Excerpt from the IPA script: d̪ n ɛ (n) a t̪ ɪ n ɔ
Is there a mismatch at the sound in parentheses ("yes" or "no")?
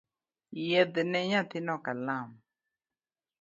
yes